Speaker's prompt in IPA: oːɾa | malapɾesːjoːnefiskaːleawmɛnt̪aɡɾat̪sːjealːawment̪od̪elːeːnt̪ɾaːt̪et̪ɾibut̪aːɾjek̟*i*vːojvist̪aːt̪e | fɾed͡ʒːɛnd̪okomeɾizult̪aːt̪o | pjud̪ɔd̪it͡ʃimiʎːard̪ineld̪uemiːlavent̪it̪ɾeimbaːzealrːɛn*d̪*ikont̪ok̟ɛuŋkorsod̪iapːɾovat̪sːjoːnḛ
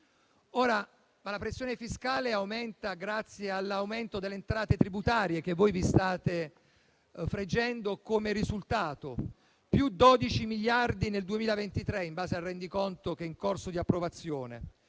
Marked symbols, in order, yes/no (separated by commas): no, yes